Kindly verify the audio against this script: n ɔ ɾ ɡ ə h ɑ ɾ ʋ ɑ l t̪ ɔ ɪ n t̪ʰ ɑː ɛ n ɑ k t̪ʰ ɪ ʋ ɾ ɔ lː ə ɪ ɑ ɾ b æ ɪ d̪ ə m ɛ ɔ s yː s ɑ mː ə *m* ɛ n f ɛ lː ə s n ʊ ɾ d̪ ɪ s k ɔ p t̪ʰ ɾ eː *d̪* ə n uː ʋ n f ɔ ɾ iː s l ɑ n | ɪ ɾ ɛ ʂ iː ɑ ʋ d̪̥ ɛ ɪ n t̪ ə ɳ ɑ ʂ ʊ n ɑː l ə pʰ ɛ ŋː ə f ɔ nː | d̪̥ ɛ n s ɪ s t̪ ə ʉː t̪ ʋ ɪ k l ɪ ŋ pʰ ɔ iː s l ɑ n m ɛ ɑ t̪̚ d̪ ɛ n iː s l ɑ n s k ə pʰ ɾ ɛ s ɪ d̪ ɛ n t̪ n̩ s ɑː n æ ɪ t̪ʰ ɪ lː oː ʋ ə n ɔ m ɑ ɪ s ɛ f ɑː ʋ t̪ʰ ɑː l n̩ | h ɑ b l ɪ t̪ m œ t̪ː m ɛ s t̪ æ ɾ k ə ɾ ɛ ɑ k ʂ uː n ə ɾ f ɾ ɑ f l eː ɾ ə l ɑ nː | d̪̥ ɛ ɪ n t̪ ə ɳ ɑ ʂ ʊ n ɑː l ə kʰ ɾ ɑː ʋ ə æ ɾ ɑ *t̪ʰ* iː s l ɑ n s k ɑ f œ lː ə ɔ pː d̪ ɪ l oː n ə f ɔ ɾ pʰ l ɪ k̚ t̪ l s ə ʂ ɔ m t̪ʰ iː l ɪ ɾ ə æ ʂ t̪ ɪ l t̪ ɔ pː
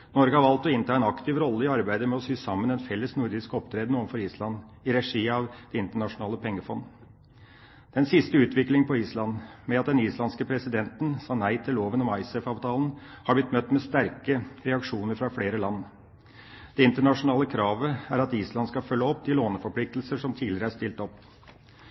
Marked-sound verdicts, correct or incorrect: incorrect, correct, incorrect

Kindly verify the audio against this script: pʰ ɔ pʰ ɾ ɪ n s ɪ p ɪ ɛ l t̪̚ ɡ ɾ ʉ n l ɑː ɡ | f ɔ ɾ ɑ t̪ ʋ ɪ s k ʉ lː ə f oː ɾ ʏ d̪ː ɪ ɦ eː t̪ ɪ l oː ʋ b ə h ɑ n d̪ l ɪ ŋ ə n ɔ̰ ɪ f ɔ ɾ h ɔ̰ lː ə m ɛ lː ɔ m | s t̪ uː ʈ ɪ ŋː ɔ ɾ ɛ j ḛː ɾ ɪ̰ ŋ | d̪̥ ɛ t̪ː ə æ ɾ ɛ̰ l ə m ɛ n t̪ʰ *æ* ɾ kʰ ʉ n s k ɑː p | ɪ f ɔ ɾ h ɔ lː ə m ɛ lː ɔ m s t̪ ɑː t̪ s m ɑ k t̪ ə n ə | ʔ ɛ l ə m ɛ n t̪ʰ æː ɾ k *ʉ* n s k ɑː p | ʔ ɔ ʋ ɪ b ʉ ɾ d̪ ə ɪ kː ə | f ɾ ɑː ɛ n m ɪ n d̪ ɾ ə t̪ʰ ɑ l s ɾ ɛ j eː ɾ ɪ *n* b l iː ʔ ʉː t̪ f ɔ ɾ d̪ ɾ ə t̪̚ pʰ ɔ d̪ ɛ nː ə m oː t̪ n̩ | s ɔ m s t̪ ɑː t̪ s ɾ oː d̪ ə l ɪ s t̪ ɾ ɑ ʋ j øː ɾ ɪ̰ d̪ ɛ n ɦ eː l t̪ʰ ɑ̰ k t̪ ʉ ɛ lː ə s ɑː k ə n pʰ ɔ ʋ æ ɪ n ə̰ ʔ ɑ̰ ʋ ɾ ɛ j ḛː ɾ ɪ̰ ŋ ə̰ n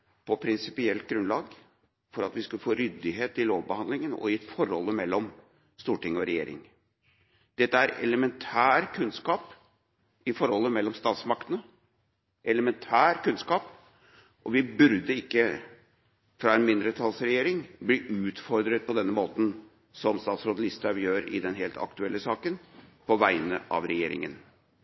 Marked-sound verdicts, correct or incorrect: incorrect, correct, incorrect

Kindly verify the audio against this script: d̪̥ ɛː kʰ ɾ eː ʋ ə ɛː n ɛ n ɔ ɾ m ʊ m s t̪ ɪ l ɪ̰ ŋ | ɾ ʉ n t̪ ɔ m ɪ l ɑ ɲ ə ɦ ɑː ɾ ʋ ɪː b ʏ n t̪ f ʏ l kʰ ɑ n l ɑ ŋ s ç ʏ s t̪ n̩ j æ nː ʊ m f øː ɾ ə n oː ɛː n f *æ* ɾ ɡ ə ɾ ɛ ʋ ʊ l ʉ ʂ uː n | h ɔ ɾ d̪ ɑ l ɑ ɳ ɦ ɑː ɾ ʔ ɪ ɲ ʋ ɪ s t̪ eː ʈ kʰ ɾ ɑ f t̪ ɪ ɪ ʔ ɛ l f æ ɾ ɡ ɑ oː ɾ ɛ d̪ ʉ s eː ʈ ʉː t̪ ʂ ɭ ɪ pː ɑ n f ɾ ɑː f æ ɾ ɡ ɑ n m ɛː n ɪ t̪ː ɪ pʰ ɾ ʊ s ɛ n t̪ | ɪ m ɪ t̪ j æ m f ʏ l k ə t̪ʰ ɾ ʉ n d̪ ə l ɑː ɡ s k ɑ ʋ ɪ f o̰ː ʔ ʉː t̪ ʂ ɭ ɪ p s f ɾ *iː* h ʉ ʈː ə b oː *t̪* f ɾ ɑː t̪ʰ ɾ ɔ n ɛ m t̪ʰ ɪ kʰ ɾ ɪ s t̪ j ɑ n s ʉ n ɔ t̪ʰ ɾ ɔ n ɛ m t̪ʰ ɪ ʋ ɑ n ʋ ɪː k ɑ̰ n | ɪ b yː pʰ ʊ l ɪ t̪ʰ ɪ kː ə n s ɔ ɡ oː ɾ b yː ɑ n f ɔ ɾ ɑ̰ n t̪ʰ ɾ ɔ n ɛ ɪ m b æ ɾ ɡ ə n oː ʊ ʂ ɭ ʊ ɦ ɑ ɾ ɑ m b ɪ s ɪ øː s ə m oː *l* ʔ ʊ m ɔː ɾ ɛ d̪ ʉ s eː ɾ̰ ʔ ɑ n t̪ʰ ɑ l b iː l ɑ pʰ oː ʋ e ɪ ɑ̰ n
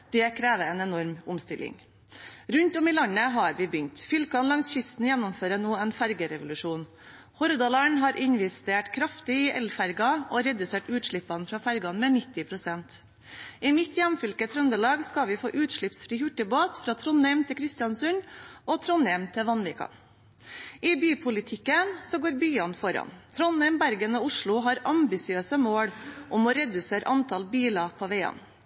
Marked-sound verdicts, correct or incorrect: correct, correct, correct, incorrect

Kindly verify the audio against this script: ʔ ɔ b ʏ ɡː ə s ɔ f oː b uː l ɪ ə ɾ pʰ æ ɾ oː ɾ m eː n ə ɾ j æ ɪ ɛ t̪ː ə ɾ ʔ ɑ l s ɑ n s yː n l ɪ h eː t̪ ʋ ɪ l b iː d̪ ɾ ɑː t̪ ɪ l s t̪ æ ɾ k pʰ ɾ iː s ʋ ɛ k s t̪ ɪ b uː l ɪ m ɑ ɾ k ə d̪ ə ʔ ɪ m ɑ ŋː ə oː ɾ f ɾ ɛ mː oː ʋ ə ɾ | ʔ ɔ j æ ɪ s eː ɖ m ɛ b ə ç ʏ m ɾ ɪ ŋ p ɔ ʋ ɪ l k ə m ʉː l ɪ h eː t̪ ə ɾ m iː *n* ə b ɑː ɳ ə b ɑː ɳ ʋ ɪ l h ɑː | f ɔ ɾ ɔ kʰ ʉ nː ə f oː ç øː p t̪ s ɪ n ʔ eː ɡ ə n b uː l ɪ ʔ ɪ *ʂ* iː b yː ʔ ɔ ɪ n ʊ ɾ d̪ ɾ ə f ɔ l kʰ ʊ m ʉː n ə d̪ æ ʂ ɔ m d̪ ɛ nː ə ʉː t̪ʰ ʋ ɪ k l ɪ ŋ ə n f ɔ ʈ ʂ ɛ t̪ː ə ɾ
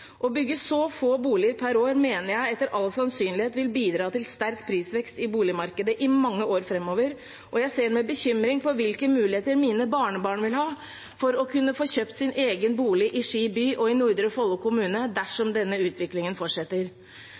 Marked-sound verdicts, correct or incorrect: correct, correct

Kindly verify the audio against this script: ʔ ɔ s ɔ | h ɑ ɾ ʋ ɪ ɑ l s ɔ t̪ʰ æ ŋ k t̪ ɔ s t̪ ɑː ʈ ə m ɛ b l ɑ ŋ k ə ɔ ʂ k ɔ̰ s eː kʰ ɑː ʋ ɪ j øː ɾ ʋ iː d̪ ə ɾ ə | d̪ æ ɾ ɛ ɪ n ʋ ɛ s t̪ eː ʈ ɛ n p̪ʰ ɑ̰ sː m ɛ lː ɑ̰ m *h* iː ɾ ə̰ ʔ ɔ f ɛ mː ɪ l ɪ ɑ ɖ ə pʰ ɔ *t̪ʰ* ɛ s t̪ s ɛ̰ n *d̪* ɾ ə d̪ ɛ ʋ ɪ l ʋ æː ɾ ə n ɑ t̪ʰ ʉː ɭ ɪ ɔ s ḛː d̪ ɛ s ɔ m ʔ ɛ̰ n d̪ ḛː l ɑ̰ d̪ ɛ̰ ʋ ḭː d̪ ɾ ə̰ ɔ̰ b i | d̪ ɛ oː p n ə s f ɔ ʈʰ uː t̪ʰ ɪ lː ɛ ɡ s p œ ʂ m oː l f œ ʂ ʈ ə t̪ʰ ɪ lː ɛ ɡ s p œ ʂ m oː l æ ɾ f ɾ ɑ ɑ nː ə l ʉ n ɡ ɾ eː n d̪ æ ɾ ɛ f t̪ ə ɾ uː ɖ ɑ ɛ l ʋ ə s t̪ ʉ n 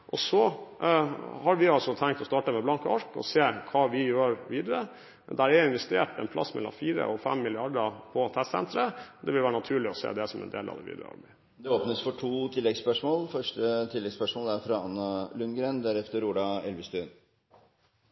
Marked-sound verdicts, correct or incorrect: incorrect, correct, incorrect

